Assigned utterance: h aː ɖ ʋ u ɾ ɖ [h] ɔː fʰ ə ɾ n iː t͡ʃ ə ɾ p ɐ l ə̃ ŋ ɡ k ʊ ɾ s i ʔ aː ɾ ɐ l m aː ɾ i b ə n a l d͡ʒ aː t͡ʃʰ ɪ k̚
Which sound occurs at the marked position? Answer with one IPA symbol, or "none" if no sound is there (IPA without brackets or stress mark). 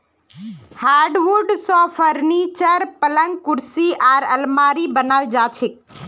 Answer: s